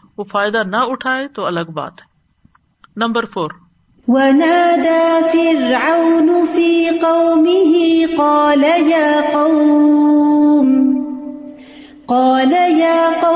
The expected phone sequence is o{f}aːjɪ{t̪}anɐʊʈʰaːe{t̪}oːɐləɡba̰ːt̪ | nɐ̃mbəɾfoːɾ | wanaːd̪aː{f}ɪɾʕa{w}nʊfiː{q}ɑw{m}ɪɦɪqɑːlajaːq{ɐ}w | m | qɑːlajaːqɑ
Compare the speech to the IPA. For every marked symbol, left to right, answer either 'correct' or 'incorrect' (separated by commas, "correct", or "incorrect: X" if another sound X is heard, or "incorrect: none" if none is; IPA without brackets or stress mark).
correct, incorrect: d̪, correct, correct, correct, correct, correct, incorrect: ɑ